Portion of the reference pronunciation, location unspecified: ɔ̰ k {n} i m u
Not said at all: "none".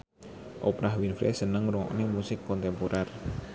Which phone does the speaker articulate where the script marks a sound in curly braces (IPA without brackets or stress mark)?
n